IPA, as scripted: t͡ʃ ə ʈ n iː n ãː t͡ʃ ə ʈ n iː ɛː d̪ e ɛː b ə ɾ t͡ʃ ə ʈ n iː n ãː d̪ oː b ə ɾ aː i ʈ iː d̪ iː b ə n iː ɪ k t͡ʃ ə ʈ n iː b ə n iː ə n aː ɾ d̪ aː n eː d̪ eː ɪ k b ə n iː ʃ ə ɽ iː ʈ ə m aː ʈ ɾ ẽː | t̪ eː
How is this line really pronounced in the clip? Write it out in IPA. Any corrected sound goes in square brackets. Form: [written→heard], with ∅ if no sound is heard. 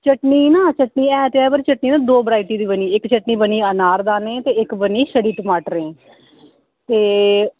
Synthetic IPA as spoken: t͡ʃ ə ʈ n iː n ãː t͡ʃ ə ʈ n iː ɛː [d̪→t̪] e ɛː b ə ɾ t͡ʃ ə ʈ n iː n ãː d̪ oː b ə ɾ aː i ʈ iː d̪ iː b ə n iː ɪ k t͡ʃ ə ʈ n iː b ə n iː ə n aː ɾ d̪ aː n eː [d̪→t̪] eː ɪ k b ə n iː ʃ ə ɽ iː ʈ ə m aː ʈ ɾ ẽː | t̪ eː